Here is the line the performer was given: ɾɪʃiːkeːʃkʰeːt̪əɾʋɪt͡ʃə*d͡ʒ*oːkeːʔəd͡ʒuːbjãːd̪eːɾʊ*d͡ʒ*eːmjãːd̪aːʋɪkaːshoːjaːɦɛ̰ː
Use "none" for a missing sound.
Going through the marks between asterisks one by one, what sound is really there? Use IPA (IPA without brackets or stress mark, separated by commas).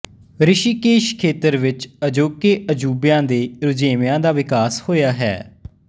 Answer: d͡ʒ, d͡ʒ